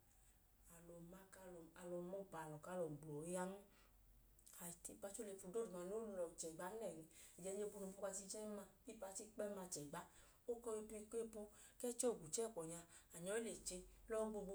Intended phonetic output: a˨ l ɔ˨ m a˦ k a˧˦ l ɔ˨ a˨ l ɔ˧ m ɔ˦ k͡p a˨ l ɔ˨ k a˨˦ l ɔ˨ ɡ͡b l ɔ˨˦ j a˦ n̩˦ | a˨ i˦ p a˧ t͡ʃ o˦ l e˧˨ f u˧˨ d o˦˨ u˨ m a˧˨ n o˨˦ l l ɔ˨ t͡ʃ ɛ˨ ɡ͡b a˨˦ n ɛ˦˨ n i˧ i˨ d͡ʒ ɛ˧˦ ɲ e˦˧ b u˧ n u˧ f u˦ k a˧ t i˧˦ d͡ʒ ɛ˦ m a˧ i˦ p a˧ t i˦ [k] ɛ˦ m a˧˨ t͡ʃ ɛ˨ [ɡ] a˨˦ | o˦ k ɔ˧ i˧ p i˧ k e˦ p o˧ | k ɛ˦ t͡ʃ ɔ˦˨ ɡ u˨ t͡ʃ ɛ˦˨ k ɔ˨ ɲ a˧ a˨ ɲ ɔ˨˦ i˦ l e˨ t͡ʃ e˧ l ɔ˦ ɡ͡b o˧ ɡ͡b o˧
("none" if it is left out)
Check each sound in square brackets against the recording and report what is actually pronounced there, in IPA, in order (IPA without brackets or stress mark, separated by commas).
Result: k͡p, ɡ͡b